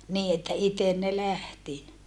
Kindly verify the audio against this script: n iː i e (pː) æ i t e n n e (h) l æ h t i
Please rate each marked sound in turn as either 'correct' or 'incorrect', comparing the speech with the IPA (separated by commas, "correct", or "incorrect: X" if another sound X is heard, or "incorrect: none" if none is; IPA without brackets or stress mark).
incorrect: tː, incorrect: none